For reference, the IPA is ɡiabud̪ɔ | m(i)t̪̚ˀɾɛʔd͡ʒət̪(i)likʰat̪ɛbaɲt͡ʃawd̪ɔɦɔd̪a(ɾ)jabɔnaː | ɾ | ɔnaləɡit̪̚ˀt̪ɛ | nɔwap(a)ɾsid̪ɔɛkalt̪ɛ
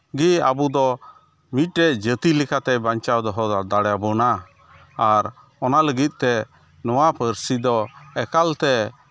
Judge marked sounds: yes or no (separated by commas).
yes, yes, no, no